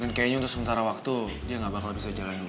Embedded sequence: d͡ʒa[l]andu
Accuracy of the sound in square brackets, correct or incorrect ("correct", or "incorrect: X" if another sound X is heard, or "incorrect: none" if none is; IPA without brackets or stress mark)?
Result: correct